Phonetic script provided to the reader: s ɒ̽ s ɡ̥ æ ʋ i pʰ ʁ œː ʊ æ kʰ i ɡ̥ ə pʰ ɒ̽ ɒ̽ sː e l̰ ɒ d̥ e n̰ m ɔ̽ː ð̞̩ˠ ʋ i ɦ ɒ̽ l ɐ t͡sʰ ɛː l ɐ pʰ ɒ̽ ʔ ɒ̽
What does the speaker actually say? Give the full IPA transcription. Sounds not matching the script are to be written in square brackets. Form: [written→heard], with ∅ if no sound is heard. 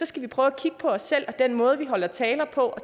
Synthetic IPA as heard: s ɒ̽ s ɡ̥ æ ʋ i pʰ ʁ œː ʊ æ kʰ i ɡ̥ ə pʰ ɒ̽ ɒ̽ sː e l̰ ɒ d̥ e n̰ m ɔ̽ː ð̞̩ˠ ʋ i ɦ ɒ̽ l ɐ t͡sʰ ɛː l ɐ pʰ ɒ̽ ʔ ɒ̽